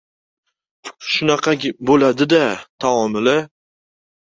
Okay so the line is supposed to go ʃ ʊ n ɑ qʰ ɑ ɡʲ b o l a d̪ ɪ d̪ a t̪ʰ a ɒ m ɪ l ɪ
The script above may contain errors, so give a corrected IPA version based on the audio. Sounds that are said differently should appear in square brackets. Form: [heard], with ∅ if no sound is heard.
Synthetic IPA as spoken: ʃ ʊ n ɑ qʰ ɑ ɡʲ b o l a d̪ ɪ d̪ a t̪ʰ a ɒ m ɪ l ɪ